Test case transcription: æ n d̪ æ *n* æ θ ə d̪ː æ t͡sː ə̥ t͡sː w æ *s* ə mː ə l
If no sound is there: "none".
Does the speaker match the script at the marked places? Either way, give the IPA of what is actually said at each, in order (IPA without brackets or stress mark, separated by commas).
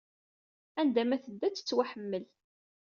m, ħ